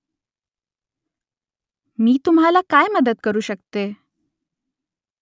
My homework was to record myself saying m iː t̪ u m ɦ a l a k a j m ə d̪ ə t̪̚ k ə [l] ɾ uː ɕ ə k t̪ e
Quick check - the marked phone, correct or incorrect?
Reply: incorrect